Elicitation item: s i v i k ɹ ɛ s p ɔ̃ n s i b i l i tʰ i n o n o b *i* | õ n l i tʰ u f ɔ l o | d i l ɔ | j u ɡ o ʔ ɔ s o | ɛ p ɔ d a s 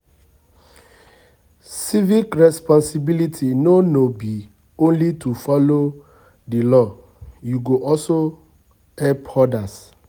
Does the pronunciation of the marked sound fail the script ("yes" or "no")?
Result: no